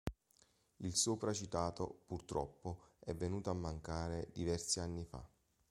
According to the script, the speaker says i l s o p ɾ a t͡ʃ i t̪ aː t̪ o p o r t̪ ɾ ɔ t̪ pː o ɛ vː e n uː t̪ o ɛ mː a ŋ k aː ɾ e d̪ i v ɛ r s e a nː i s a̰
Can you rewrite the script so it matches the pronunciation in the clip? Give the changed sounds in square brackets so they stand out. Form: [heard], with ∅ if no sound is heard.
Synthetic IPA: i l s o p ɾ a t͡ʃ i t̪ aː t̪ o p [u] r t̪ ɾ ɔ [∅] pː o ɛ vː e n uː t̪ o [a] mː a ŋ k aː ɾ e d̪ i v ɛ r s [i] a nː i [f] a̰